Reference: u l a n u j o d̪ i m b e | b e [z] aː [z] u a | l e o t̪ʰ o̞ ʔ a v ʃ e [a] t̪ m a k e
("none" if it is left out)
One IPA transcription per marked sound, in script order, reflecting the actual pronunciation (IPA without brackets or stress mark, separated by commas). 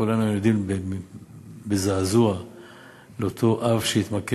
z, z, i